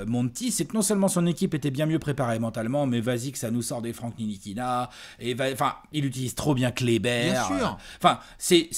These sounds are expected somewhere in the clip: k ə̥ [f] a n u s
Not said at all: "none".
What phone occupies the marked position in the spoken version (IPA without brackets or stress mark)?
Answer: s